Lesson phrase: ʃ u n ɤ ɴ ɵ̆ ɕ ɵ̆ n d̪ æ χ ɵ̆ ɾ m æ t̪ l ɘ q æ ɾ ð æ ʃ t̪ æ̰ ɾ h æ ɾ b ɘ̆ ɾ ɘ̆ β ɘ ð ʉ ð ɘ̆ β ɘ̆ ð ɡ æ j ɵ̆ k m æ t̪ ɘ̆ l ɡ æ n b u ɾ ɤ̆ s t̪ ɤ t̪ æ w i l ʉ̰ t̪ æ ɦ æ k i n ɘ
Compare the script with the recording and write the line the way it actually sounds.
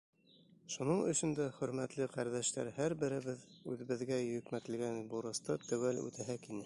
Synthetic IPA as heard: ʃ u n ɤ ɴ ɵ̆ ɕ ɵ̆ n d̪ æ χ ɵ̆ ɾ m æ t̪ l ɘ q æ ɾ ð æ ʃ t̪ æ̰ ɾ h æ ɾ b ɘ̆ ɾ ɘ̆ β ɘ ð ʉ ð ɘ̆ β ɘ̆ ð ɡ æ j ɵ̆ k m æ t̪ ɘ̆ l ɡ æ n b u ɾ ɤ̆ s t̪ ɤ t̪ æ w æ l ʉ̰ t̪ æ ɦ æ k i n ɘ